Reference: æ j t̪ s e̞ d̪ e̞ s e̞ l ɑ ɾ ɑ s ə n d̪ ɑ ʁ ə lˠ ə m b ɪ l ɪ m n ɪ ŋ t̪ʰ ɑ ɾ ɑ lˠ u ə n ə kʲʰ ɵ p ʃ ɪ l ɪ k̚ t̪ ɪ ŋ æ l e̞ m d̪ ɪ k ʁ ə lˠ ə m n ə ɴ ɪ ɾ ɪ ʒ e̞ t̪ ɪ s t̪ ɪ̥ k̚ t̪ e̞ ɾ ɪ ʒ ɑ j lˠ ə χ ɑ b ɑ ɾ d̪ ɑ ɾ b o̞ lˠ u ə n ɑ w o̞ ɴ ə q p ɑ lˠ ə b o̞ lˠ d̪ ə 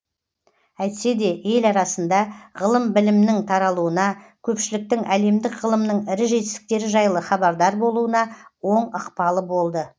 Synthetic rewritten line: æ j t̪ s e̞ d̪ e̞ e̞ l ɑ ɾ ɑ s ə n d̪ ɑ ʁ ə lˠ ə m b ɪ l ɪ m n ɪ ŋ t̪ʰ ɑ ɾ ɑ lˠ u ə n ɑ kʲʰ ɵ p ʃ ɪ l ɪ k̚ t̪ ɪ ŋ æ l e̞ m d̪ ɪ k ʁ ə lˠ ə m n ə ɴ ɪ ɾ ɪ ʒ e̞ t̪ ɪ s t̪ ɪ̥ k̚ t̪ e̞ ɾ ɪ ʒ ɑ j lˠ ə χ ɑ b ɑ ɾ d̪ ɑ ɾ b o̞ lˠ u ə n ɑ w o̞ ɴ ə q p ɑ lˠ ə b o̞ lˠ d̪ ə